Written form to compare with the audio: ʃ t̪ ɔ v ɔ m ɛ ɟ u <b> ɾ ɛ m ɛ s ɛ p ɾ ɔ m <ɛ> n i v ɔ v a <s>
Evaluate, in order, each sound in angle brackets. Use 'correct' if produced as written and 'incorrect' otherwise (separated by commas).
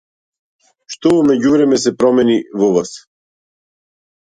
incorrect, correct, correct